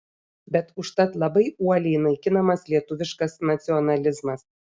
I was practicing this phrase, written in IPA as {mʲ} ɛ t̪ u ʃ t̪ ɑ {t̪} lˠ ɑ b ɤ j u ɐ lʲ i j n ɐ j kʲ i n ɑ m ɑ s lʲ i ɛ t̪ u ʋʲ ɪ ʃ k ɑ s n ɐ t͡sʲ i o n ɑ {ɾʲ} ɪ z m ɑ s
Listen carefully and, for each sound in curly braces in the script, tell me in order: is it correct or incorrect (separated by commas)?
incorrect, correct, incorrect